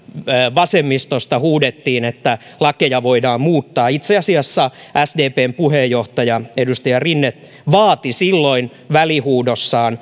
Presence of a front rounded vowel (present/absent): absent